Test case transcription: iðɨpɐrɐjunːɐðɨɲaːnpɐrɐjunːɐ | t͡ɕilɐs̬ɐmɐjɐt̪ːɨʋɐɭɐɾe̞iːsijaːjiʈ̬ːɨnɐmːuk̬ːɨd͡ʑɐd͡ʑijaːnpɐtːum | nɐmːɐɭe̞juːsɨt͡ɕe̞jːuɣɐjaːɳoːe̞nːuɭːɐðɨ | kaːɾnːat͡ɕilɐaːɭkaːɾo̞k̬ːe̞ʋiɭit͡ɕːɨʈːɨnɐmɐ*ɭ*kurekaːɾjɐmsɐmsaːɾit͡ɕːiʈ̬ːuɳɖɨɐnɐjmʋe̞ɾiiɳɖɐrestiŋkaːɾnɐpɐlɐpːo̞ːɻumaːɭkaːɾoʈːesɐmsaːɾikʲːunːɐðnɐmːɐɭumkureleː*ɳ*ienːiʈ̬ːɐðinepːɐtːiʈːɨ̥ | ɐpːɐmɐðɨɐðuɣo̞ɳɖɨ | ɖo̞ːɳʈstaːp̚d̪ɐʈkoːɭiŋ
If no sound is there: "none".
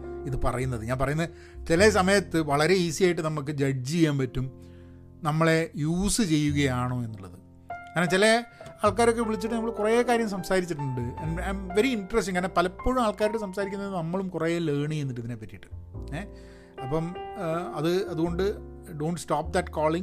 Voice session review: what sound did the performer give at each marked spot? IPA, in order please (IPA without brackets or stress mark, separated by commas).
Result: ɭ, ɳ